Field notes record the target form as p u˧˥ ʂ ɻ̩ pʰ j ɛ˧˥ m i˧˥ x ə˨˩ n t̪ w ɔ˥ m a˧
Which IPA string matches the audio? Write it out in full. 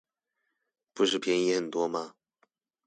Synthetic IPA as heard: p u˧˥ ʂ ɻ̩ pʰ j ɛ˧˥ n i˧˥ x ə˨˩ n t̪ w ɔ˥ m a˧